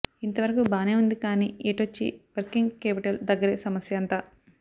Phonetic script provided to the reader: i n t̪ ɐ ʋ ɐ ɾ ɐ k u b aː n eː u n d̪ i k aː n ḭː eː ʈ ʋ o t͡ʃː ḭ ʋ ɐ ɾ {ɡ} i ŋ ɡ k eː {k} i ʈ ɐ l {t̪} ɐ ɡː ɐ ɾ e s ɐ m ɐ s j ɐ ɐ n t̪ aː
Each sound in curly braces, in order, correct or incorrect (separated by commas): incorrect, incorrect, incorrect